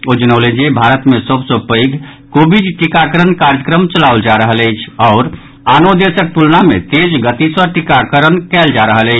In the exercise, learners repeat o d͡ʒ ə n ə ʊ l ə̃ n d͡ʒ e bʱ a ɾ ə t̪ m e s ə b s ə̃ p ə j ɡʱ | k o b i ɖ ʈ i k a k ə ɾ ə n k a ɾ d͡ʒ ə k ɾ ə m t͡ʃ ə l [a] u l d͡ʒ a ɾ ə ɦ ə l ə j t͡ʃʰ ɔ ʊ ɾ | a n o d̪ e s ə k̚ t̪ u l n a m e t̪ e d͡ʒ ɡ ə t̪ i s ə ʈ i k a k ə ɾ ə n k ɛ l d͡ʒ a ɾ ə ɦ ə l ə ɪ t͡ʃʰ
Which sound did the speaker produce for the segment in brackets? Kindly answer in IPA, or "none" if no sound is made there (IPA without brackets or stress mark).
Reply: a